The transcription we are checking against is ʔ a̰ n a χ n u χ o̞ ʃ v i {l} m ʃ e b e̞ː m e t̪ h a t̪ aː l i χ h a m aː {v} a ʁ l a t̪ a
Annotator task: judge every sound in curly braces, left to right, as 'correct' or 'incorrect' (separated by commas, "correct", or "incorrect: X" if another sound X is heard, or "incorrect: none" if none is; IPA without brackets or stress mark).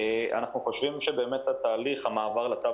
incorrect: none, correct